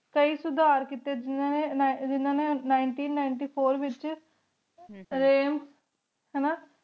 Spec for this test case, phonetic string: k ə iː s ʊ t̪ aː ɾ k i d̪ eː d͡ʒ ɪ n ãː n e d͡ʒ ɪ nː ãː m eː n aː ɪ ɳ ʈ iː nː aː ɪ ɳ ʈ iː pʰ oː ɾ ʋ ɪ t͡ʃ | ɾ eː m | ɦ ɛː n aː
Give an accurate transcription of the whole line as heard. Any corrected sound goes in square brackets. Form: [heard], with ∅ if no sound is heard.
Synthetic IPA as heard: k ə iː s ʊ [d̪] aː ɾ k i [t̪] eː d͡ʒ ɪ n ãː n e d͡ʒ ɪ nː ãː [n] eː n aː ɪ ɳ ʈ iː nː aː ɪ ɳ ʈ iː pʰ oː ɾ ʋ ɪ t͡ʃ | ɾ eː m | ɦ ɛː n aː

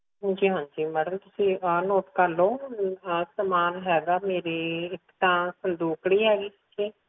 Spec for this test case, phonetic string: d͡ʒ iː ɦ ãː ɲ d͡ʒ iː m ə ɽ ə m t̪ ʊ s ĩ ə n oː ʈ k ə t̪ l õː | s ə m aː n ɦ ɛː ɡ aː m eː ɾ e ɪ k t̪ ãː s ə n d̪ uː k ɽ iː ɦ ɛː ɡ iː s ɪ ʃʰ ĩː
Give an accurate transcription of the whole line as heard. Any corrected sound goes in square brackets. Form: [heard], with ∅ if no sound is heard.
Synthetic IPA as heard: d͡ʒ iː ɦ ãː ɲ d͡ʒ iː m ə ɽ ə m t̪ ʊ s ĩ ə n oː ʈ k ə [∅] l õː | s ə m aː n ɦ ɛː ɡ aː m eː ɾ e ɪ k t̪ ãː s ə n d̪ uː k ɽ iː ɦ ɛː ɡ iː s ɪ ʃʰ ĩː

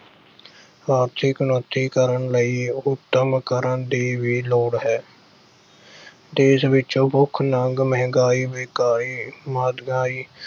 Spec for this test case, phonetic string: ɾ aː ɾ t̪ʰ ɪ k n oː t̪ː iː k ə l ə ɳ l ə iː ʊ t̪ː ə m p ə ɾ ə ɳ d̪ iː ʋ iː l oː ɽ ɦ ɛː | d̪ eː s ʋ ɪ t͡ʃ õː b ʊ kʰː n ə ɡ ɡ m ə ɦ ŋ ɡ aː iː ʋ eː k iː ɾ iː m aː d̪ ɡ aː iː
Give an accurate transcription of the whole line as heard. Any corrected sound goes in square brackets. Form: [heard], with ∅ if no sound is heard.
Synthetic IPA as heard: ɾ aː ɾ t̪ʰ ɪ k n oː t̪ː iː k ə [ɾ] ə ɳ l ə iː ʊ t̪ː ə m [k] ə ɾ ə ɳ d̪ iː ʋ iː l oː ɽ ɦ ɛː | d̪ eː s ʋ ɪ t͡ʃ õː b ʊ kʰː n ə [ŋ] ɡ m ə ɦ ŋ ɡ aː iː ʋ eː k [aː] ɾ iː m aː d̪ ɡ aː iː

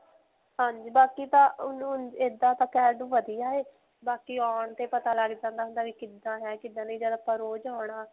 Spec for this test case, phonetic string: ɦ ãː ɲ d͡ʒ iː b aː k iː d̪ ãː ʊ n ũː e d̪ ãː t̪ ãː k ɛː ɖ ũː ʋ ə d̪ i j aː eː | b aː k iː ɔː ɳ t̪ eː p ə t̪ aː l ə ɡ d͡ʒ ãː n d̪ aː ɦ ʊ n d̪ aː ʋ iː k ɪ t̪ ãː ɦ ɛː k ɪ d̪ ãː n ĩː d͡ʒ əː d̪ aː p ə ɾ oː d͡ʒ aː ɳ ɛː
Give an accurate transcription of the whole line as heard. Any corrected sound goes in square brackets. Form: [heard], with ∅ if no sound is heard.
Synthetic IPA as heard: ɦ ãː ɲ d͡ʒ iː b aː k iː [t̪] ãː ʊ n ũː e d̪ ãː t̪ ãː k ɛː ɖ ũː ʋ ə d̪ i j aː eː | b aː k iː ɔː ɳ t̪ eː p ə t̪ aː l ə ɡ d͡ʒ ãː n d̪ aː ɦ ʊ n d̪ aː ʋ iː k ɪ [d̪] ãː ɦ ɛː k ɪ d̪ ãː n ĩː d͡ʒ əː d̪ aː p ə ɾ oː d͡ʒ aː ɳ [aː]

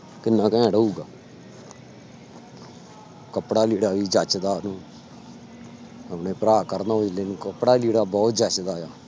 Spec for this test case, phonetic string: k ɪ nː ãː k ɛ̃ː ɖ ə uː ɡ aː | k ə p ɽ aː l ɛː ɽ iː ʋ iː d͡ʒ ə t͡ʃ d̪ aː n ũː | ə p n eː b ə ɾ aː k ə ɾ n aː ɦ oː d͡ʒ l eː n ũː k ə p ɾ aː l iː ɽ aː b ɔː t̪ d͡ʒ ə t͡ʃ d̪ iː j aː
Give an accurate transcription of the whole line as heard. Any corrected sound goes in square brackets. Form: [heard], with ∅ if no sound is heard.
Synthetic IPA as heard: k ɪ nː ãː k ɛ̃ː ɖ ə uː ɡ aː | k ə p ɽ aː l [iː] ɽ [aː] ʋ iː d͡ʒ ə t͡ʃ d̪ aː n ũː | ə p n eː [p] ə ɾ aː k ə ɾ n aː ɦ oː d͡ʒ l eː n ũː k ə p [ɽ] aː l iː ɽ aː b ɔː t̪ d͡ʒ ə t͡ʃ d̪ [aː] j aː

